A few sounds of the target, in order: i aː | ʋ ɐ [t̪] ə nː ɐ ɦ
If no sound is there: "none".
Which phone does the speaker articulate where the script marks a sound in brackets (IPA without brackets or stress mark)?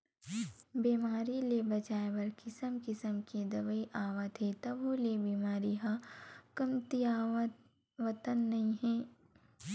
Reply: t̪